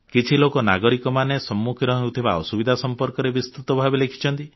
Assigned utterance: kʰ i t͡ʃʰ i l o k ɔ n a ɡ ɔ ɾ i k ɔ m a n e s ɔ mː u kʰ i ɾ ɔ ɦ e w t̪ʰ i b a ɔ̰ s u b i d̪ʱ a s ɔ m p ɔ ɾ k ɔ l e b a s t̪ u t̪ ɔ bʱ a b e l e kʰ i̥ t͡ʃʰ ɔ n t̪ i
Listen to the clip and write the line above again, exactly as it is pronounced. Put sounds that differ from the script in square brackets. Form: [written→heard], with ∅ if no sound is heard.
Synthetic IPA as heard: [kʰ→k] i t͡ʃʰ i l o k ɔ n a ɡ ɔ ɾ i k ɔ m a n e s ɔ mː u kʰ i ɾ ɔ ɦ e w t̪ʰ i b a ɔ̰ s u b i d̪ʱ a s ɔ m p ɔ ɾ k ɔ [l→ɾ] e b [a→i] s t̪ u t̪ ɔ bʱ a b e l e kʰ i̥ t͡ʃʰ ɔ n t̪ i